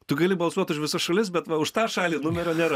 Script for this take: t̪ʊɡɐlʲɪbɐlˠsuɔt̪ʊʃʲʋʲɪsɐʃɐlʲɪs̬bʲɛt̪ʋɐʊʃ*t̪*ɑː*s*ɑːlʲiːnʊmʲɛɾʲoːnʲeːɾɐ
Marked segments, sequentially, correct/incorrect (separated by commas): correct, incorrect